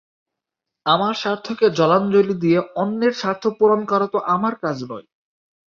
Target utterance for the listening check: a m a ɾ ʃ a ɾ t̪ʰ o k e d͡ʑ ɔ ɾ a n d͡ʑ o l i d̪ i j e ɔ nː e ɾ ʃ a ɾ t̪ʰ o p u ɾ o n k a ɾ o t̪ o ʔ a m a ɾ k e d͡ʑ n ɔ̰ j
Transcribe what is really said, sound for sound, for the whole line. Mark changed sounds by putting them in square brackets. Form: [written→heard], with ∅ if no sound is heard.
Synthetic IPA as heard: a m a ɾ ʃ a ɾ t̪ʰ o k e d͡ʑ ɔ [ɾ→l] a n d͡ʑ o l i d̪ i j e ɔ nː e ɾ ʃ a ɾ t̪ʰ o p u ɾ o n k a ɾ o t̪ o ʔ a m a ɾ k [e→a] d͡ʑ n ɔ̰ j